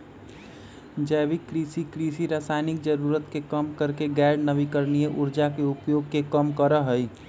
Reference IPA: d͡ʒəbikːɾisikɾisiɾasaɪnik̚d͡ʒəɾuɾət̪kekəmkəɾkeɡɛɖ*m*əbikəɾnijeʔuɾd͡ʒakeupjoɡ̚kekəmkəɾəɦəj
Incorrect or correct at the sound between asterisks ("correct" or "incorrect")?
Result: incorrect